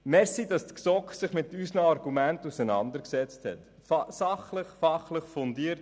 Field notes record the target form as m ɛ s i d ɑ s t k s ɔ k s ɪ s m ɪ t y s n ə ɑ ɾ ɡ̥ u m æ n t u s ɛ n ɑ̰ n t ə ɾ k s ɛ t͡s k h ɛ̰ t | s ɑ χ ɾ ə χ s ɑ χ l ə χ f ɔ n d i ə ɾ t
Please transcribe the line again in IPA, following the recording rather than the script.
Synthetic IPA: m ɛ s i d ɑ s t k s ɔ k s ɪ χ m ɪ t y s n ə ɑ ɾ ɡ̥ u m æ n t u s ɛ n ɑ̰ n d ə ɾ k s ɛ t͡s t h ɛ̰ t | s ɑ χ l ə χ f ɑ χ l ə χ f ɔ n d i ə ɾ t